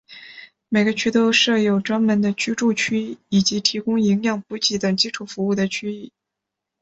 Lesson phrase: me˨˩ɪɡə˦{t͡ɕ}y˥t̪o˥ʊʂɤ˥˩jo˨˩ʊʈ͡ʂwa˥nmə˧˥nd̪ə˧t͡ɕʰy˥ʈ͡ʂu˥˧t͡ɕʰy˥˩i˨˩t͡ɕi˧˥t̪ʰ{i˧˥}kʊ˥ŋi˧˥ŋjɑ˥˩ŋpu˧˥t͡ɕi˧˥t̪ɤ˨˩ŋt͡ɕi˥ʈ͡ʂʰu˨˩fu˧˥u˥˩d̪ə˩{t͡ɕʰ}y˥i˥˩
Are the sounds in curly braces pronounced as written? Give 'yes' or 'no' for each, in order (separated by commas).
no, yes, yes